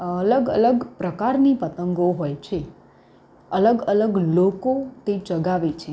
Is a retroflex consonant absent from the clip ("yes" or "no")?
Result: yes